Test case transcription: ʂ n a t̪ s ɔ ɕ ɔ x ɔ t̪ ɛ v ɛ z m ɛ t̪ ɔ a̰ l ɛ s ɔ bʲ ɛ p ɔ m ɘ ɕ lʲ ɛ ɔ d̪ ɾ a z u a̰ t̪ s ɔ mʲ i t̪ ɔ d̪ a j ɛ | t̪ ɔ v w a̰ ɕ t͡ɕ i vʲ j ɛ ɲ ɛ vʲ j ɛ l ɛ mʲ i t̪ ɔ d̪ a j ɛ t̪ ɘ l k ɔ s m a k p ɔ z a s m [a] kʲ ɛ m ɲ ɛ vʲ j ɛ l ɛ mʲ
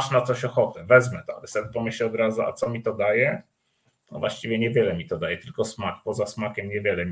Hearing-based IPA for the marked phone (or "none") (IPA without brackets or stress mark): a